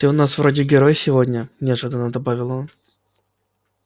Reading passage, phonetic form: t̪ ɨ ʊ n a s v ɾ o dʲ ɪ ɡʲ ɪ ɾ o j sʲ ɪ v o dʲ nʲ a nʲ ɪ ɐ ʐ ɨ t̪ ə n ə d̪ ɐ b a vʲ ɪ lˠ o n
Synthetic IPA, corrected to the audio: t̪ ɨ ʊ n a s v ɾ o dʲ ɪ ɡʲ ɪ ɾ o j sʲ ɪ v o dʲ nʲ ə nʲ ɪ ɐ ʐ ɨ d̪ ə n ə d̪ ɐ b a vʲ ɪ lˠ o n